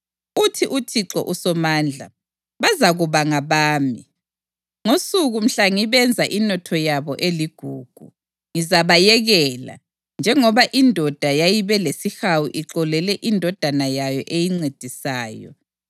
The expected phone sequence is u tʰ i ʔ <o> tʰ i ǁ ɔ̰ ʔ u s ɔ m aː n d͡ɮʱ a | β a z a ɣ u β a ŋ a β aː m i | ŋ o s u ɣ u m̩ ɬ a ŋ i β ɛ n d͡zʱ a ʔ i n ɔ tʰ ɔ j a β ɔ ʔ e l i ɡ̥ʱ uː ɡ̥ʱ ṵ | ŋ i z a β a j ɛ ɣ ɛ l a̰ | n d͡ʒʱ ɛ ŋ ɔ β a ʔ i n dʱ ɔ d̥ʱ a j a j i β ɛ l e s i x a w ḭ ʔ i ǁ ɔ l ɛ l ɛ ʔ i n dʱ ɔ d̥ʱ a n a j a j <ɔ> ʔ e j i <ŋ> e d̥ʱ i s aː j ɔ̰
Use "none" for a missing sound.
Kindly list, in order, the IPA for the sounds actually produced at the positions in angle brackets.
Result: u, ɔ, ŋ͡ǀ

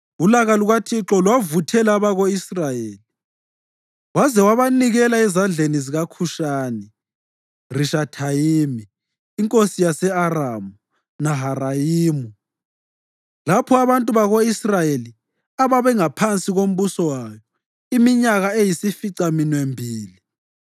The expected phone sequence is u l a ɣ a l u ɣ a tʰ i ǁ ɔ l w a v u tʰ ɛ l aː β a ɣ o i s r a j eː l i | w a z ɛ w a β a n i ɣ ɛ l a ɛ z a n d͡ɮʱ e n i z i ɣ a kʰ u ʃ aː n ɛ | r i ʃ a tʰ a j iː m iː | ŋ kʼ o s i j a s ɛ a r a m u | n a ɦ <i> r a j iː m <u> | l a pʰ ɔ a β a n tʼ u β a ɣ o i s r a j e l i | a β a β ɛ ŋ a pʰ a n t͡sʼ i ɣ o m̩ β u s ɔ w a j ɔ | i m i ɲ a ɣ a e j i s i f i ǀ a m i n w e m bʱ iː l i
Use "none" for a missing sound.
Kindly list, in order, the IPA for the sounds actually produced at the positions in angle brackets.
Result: a, u

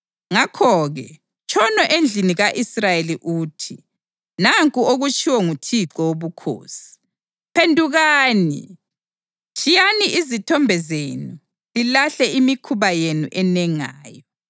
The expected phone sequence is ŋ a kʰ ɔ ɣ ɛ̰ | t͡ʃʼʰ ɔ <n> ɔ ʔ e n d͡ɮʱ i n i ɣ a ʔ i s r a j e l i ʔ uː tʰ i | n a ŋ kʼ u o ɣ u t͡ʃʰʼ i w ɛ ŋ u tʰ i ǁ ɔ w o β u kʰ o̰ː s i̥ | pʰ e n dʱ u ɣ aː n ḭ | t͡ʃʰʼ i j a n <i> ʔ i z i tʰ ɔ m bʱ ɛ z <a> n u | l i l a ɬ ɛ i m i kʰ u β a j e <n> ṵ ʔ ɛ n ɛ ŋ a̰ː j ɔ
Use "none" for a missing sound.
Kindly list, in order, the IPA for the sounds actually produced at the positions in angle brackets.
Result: n, i, e, n

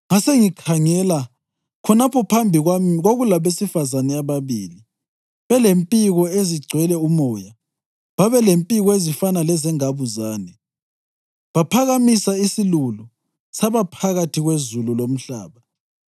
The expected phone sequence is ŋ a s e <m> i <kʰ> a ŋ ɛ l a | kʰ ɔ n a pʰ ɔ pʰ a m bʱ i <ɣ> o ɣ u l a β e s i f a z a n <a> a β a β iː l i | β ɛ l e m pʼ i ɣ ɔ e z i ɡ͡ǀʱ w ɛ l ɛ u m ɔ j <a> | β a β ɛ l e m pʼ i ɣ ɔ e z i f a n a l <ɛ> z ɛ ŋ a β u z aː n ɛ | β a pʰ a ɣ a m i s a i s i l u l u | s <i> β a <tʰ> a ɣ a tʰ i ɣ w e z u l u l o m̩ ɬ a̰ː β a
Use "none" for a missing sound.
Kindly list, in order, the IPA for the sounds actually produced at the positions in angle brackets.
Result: ŋ, kʰ, ɣ, ɛ, a, ɛ, a, pʰ

